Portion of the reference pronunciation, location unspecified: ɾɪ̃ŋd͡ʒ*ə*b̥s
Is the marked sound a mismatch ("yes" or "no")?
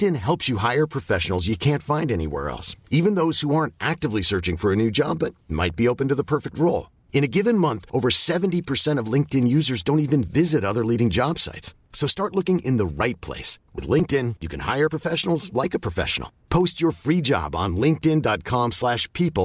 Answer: yes